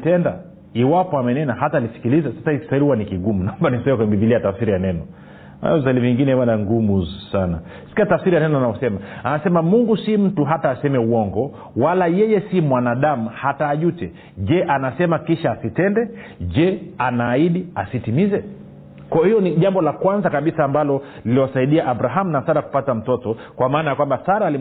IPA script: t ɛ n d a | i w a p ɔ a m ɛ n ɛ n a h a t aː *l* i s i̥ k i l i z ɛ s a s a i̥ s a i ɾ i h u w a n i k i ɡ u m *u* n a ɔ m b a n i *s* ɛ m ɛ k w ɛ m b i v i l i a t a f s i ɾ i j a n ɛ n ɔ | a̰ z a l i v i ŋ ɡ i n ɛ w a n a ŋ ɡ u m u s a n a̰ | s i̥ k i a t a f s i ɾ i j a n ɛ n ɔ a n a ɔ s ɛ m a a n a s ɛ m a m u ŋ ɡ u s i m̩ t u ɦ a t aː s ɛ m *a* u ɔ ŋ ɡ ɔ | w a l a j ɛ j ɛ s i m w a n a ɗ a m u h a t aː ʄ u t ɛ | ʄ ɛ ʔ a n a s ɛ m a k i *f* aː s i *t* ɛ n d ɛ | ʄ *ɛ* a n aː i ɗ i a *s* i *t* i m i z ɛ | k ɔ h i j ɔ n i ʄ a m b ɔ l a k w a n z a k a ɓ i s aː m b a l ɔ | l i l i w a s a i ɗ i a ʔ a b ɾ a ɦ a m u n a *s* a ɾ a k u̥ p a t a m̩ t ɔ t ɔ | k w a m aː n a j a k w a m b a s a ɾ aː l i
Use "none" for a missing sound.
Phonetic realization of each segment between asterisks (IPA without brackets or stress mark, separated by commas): l, u, s, ɛ, ʃ, t, ɛ, s, t, s